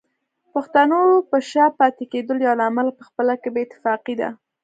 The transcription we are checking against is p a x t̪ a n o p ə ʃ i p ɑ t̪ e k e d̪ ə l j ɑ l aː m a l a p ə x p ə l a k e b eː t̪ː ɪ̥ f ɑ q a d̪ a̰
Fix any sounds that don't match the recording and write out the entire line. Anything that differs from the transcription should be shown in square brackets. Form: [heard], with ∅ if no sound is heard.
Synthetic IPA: p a x t̪ a n o p ə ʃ [a] p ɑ t̪ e k e d̪ ə l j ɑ l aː m a l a p ə x p ə l a k e b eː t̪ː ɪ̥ f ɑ q [i] d̪ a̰